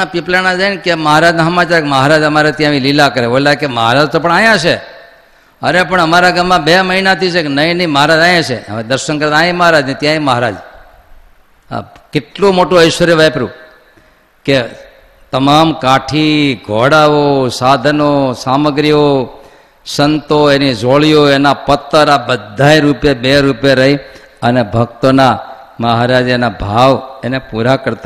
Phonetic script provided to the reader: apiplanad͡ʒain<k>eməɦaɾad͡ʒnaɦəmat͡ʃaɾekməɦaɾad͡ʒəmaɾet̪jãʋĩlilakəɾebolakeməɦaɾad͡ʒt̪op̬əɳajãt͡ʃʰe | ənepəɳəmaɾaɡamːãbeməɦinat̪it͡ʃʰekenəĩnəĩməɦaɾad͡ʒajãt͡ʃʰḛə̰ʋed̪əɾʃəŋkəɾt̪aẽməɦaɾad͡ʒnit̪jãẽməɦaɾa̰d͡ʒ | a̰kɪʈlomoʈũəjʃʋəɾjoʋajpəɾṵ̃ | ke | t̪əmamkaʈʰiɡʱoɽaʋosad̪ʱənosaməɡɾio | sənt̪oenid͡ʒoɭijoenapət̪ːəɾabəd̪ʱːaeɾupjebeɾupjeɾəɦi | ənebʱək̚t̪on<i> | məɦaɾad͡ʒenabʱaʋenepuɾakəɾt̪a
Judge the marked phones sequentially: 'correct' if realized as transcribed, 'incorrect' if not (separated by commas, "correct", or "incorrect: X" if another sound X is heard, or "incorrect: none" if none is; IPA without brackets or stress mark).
correct, incorrect: a